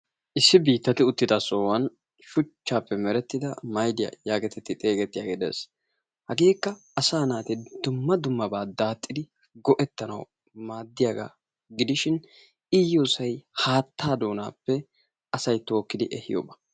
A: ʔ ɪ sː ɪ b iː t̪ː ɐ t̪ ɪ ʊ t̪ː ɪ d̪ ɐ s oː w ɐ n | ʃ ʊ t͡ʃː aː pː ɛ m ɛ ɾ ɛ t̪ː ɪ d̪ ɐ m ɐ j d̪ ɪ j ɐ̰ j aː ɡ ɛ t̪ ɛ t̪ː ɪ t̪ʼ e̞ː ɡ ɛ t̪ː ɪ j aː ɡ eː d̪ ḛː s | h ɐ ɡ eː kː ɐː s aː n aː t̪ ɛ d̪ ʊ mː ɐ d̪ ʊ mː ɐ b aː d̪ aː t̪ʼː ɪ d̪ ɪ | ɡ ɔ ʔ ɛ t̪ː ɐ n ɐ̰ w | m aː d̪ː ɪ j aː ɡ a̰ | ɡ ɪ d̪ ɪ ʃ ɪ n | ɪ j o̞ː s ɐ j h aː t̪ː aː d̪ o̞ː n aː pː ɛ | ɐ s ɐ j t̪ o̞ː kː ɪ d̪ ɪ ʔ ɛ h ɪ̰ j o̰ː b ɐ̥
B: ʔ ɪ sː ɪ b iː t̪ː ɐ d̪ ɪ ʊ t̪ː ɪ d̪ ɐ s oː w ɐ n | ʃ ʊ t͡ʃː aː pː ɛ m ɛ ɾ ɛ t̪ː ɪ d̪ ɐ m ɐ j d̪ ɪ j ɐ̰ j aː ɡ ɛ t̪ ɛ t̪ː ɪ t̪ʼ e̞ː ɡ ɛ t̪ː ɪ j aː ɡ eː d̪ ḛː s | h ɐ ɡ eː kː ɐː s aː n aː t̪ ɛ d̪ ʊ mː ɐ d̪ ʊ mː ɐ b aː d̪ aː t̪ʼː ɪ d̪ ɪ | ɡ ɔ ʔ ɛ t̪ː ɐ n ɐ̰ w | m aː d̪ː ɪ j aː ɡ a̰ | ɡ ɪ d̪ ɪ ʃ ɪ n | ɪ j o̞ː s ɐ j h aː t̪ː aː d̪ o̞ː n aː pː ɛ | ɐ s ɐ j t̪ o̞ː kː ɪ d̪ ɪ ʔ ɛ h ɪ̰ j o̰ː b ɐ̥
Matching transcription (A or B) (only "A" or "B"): A